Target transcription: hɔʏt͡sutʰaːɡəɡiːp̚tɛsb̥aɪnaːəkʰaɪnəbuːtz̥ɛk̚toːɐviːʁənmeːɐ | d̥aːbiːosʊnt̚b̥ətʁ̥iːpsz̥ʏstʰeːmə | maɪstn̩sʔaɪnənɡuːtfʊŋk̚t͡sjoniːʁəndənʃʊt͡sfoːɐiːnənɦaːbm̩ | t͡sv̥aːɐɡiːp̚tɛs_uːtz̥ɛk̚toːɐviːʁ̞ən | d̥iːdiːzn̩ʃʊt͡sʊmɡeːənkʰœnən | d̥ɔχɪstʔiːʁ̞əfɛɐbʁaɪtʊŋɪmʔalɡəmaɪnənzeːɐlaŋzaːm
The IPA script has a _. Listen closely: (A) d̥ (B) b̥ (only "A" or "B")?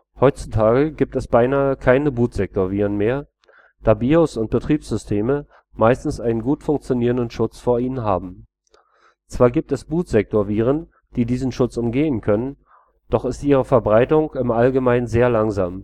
B